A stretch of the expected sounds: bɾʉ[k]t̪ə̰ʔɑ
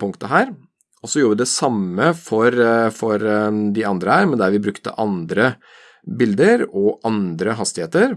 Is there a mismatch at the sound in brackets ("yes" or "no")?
no